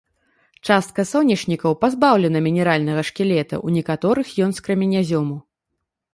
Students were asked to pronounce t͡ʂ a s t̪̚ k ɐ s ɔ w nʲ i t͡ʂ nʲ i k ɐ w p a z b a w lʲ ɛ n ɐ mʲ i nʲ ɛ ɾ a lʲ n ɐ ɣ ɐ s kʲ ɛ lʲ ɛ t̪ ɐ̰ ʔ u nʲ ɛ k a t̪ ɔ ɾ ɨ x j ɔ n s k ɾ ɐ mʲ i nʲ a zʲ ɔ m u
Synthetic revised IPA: t͡ʂ a s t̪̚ k ɐ s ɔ w nʲ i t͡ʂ nʲ i k ɐ w p a z b a w lʲ ɛ n ɐ mʲ i nʲ ɛ ɾ a lʲ n ɐ ɣ ɐ ʂ kʲ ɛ lʲ ɛ t̪ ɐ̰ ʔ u nʲ ɛ k a t̪ ɔ ɾ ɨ x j ɔ n s k ɾ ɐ mʲ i nʲ a zʲ ɔ m u